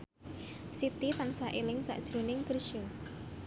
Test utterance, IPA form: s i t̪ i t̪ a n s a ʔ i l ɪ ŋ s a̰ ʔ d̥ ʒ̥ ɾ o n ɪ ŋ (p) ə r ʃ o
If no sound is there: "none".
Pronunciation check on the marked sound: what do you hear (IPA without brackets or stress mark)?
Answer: k